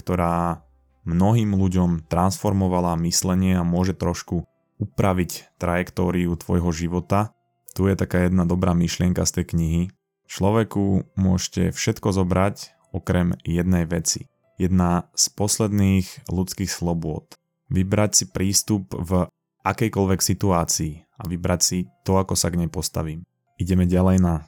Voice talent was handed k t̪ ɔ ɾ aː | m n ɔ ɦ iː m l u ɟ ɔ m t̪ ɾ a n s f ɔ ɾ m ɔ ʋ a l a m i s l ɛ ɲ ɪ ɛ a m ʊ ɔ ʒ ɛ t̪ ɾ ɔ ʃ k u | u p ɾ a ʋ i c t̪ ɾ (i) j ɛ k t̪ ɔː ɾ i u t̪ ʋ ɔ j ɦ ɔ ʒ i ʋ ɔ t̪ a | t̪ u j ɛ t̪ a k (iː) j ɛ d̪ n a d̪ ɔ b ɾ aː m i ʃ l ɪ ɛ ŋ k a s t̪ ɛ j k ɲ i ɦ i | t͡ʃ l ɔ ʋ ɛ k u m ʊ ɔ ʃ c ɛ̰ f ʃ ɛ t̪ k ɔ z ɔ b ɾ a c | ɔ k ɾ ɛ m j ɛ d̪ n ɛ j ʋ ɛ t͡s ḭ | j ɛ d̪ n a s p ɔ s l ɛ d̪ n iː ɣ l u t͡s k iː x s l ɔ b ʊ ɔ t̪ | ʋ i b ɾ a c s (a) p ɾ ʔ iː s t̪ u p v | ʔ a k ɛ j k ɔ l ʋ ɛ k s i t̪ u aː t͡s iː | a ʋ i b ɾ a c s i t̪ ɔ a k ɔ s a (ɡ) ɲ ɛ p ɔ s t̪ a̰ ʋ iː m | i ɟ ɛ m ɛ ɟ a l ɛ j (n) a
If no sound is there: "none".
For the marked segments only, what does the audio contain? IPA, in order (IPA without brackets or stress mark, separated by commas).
a, aː, i, ɡ, n